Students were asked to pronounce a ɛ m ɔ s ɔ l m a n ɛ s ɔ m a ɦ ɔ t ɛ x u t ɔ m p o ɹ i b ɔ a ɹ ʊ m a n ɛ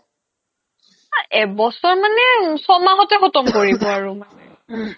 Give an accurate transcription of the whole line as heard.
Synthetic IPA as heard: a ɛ b ɔ s ɔ ɹ m a n ɛ s ɔ m a ɦ ɔ t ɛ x ɔ t ɔ m k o ɹ i b ɔ a ɹ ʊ m a n ɛ